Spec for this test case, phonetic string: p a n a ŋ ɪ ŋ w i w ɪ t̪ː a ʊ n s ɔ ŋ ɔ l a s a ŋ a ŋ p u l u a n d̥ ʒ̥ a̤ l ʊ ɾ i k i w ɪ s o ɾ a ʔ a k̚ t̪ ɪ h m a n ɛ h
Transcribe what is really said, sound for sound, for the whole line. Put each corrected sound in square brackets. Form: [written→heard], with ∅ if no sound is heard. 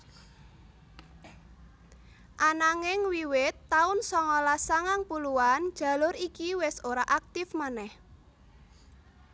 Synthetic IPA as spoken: [p→ʔ] a n a ŋ ɪ ŋ w i w ɪ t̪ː a ʊ n s ɔ ŋ ɔ l a s a ŋ a ŋ p u l u a n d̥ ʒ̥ a̤ l ʊ ɾ i k i w ɪ s o ɾ a ʔ a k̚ t̪ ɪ [h→f] m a n ɛ h